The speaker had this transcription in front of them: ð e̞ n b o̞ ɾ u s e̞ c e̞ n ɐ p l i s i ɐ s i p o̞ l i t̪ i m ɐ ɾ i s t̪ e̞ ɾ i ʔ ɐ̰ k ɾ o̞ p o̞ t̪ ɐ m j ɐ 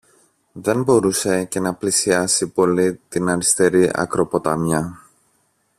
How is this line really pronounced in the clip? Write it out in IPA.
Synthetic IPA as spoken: ð e̞ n b o̞ ɾ u s e̞ c e̞ n ɐ p l i s i ɐ s i p o̞ l i t̪ i n ɐ ɾ i s t̪ e̞ ɾ i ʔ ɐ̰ k ɾ o̞ p o̞ t̪ ɐ m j ɐ